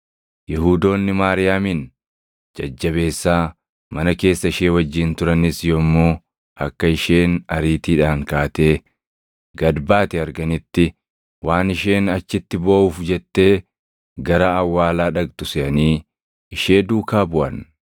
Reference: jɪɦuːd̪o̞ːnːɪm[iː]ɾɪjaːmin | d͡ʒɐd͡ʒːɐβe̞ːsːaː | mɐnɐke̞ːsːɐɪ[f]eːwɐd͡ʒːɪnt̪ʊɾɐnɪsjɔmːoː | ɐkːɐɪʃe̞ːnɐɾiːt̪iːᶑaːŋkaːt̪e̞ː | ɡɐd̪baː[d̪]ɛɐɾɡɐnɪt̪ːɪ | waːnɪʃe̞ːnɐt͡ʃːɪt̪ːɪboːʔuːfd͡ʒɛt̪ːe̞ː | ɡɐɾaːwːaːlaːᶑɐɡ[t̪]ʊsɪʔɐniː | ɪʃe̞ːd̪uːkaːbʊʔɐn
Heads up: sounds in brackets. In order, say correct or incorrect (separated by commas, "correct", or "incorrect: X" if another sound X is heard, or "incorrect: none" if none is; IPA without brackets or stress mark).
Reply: incorrect: aː, incorrect: ʃ, incorrect: t̪, correct